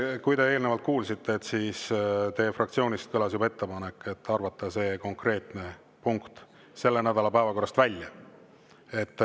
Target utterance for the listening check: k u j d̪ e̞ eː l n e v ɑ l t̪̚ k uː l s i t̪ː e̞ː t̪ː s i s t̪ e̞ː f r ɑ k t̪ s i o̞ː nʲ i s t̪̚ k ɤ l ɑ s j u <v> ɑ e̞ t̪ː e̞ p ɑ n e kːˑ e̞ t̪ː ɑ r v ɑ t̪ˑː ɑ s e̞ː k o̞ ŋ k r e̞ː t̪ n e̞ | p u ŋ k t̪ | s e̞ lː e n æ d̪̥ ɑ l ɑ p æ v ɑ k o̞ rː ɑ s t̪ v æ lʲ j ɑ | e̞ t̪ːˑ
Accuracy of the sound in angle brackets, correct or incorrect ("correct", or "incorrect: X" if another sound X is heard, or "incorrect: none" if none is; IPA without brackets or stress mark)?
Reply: incorrect: b